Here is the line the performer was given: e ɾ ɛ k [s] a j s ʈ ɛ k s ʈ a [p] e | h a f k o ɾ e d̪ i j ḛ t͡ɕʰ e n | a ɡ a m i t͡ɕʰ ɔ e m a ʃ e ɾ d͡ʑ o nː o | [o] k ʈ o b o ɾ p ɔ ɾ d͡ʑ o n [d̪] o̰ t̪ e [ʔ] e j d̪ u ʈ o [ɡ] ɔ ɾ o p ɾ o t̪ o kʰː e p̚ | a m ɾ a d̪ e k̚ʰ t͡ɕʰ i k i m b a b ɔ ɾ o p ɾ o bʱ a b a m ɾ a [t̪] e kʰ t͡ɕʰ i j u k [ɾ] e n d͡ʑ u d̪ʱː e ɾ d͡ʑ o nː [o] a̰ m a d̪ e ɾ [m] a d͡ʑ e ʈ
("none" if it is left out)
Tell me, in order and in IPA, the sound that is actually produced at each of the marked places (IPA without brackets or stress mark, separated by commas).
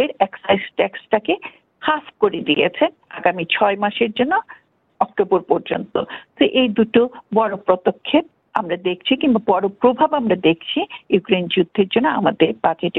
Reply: s, k, ɔ, t̪, ʔ, b, d̪, ɾ, o, b